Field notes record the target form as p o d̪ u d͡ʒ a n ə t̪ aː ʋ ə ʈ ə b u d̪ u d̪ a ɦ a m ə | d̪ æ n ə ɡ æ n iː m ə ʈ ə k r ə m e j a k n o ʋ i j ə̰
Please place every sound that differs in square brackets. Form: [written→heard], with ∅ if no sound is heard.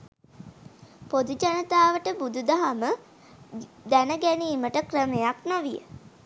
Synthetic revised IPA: p o d̪ u d͡ʒ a n ə t̪ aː ʋ ə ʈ ə b u d̪ u d̪ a ɦ a m ə | d̪ æ n ə ɡ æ n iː m ə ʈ ə k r ə m e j a k n o ʋ i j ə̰